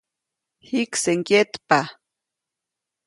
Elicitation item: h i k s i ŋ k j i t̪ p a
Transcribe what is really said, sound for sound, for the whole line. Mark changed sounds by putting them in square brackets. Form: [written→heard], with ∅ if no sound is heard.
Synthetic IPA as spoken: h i k s [i→e] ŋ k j [i→e] t̪ p a